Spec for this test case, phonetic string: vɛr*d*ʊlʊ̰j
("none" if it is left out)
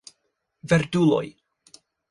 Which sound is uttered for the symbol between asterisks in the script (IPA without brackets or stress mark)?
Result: d